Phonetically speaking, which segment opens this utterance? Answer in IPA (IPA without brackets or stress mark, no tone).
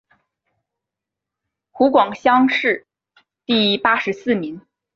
x